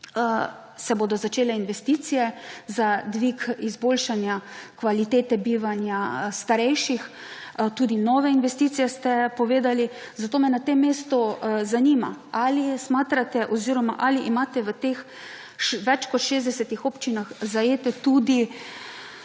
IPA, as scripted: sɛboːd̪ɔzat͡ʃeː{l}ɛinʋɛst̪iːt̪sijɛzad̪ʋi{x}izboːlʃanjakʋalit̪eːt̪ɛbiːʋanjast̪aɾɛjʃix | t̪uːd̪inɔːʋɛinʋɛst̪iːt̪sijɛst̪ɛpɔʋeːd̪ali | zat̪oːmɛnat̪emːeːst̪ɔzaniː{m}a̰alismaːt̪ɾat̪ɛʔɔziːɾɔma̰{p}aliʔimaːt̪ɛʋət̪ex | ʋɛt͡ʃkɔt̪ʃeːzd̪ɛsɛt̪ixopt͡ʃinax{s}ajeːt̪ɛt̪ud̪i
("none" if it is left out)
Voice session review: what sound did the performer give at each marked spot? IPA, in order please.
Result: l, k, m, ʔ, z

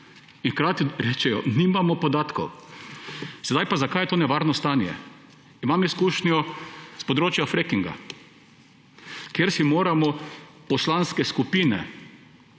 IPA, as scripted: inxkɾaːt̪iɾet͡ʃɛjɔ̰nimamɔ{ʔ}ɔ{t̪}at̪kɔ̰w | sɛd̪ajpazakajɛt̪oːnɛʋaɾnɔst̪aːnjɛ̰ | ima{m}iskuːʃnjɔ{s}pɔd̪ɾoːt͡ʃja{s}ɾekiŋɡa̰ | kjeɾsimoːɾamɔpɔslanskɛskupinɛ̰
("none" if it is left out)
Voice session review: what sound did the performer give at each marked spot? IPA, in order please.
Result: p, d̪, m, s, f

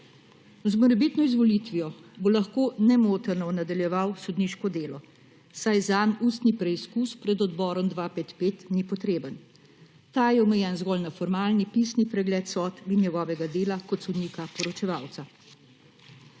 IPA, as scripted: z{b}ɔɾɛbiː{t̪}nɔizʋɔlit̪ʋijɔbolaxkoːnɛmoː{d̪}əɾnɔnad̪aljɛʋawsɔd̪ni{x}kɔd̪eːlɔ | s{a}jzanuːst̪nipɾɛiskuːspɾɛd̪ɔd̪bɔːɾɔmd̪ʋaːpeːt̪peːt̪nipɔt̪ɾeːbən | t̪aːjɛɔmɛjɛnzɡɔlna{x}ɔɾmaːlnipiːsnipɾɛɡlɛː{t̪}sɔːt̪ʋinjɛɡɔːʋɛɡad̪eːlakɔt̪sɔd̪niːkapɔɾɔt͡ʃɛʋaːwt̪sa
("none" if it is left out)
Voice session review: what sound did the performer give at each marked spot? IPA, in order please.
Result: m, t̪, t̪, ʃ, a, f, t̪

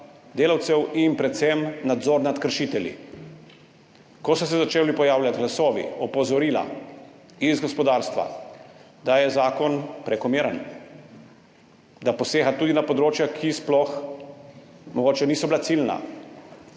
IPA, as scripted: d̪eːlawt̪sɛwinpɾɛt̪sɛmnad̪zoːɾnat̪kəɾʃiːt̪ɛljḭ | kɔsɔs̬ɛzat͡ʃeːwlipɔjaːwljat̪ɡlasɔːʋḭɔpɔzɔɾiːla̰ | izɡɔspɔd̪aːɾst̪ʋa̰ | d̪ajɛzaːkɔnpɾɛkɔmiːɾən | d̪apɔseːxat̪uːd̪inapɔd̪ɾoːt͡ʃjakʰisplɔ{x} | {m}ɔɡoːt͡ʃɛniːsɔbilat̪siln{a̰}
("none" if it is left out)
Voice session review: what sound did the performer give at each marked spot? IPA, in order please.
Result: x, m, a̰

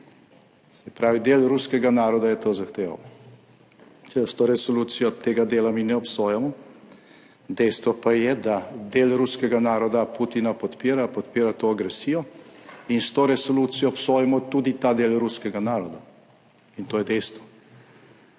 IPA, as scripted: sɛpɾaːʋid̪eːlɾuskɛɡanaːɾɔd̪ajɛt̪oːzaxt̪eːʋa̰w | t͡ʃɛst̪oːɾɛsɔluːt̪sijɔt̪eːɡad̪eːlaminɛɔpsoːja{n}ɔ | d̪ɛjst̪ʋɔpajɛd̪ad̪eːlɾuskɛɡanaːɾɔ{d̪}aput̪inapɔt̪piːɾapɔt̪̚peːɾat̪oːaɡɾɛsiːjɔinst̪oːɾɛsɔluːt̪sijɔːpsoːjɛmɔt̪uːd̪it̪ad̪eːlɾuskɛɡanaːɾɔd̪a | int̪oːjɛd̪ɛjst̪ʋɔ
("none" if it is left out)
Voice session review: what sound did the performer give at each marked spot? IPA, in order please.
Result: m, d̪

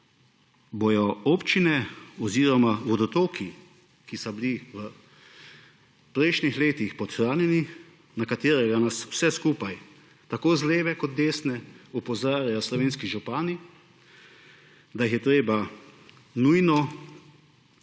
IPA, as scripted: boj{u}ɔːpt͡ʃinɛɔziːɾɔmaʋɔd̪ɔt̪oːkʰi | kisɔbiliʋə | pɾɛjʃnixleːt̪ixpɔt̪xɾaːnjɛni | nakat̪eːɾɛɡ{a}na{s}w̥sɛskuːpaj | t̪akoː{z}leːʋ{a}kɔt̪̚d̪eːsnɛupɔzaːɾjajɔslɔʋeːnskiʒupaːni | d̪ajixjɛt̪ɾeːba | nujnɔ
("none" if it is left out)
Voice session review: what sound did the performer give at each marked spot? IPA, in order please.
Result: ɔ, a, s, z, ɛ

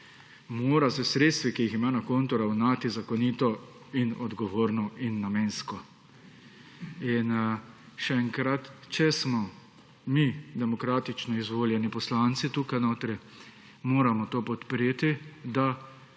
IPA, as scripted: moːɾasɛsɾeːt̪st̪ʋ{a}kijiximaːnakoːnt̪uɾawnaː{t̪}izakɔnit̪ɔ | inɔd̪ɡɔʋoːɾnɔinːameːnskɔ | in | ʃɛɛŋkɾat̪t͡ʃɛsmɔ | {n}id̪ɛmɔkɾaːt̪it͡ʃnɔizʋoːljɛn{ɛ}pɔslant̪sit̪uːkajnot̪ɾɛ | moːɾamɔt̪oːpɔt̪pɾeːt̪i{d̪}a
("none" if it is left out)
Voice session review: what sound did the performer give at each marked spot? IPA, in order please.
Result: i, t̪, m, i, d̪

